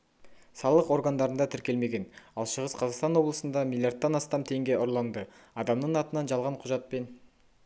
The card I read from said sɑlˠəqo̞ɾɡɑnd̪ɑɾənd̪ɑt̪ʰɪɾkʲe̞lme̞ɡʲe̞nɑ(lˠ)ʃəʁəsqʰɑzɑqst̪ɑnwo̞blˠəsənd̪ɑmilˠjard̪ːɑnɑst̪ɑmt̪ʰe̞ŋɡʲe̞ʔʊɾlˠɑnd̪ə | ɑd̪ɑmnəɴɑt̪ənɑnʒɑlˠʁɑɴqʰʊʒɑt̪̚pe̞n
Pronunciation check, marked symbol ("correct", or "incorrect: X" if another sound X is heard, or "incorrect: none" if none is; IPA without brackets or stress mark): correct